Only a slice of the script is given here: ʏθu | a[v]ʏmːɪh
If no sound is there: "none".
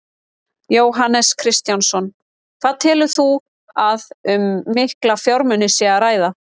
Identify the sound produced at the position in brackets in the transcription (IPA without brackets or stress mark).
ð